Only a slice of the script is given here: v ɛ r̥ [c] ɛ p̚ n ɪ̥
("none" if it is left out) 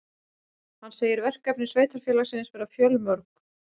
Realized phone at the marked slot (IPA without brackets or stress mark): k